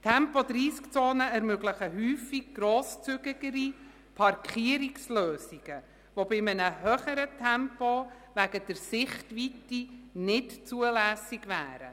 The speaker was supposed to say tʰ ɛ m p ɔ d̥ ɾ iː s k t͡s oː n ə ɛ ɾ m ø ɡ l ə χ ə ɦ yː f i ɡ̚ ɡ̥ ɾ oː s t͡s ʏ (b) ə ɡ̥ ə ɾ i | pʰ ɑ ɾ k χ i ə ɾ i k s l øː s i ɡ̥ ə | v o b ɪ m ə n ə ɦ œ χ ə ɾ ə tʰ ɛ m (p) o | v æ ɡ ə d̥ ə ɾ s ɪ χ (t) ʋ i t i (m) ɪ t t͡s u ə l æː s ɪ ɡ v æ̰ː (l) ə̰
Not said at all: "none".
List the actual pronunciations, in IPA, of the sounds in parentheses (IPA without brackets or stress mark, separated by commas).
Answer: ɡ, p, t, n, ɾ